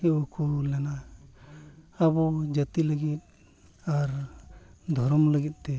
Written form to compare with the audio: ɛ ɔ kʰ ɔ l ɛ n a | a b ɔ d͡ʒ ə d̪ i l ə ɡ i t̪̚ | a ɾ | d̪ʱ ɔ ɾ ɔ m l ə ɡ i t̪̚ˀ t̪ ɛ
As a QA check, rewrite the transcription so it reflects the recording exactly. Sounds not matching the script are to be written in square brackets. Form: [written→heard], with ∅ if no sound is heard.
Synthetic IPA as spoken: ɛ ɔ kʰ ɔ l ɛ n a | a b ɔ d͡ʒ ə [d̪→t̪] i l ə ɡ i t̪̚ | a ɾ | d̪ʱ ɔ ɾ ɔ m l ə ɡ i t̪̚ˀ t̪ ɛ